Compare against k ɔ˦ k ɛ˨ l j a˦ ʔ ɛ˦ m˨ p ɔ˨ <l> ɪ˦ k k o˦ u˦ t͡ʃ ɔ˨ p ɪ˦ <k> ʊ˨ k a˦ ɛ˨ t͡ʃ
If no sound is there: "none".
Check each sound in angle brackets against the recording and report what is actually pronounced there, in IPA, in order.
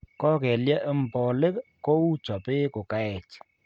l, k

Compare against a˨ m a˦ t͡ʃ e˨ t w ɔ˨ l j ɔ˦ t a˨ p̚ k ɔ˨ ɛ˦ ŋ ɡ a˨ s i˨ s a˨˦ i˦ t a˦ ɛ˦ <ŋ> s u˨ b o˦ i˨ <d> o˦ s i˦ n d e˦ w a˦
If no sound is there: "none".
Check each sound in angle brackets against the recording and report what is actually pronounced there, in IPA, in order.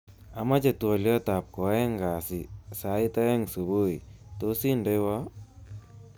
ŋ, t

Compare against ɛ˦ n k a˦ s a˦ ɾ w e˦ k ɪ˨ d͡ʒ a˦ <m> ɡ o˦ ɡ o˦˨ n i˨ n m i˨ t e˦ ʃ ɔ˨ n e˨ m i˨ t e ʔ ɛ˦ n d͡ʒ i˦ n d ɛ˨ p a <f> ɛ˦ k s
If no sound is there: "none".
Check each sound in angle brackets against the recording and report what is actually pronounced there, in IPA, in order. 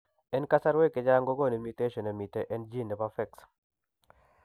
ŋ, f

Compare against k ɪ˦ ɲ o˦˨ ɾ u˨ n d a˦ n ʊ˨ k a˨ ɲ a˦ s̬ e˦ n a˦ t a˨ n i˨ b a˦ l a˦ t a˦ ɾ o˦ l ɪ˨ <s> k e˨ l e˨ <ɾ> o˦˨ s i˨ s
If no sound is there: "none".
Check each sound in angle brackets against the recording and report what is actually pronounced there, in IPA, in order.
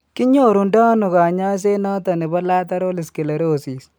s, ɾ

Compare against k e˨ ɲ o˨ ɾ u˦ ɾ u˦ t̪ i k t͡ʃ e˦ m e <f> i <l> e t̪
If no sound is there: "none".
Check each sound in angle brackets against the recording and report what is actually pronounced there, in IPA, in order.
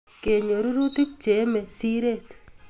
s, ɾ

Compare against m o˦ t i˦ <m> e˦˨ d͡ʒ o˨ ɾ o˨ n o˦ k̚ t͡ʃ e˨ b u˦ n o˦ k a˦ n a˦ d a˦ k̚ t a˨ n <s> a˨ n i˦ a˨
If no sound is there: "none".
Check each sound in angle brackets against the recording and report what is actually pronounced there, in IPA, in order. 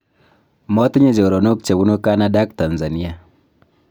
ɲ, z

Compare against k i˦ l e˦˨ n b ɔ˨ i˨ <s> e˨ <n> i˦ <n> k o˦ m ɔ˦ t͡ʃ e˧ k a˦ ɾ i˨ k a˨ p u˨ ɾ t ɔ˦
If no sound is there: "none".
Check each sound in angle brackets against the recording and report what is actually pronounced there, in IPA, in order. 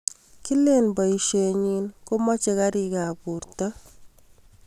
ʃ, ɲ, n

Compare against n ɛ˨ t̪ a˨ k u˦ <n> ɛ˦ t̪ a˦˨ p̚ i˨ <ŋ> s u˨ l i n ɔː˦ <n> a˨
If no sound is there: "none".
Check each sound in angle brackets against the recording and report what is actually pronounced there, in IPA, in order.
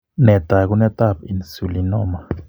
n, n, m

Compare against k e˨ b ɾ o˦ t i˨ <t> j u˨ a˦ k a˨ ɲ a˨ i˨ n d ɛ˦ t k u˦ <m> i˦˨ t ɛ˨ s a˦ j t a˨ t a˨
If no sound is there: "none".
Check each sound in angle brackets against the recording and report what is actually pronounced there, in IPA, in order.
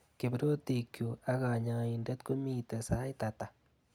k, m

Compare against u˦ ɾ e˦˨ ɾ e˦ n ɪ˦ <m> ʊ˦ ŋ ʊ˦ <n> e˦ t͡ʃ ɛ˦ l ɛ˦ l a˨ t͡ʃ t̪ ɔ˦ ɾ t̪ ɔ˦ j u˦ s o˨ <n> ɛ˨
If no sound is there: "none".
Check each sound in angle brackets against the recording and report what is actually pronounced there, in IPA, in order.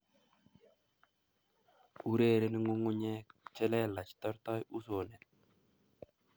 ŋ, ɲ, n

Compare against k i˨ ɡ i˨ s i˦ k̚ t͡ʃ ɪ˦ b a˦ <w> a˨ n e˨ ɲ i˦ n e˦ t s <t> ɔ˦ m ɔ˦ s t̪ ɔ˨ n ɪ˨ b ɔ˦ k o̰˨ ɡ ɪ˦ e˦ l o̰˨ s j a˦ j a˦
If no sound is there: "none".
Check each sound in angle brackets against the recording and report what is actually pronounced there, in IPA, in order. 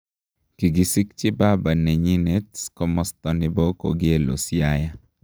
b, k

